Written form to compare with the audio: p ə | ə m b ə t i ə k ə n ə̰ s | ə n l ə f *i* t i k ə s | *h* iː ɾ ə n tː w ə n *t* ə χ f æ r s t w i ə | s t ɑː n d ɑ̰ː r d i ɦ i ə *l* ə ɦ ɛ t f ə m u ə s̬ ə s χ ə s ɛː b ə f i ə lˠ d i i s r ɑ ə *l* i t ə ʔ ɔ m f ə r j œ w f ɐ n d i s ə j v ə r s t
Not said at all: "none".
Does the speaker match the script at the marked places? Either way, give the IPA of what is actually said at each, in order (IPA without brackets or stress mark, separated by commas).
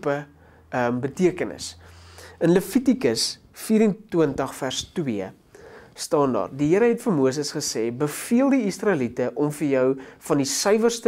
i, f, t, ɾ, l